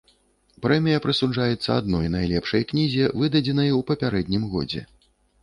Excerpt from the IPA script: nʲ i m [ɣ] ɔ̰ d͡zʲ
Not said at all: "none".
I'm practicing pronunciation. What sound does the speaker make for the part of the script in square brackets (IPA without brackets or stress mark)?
ɣ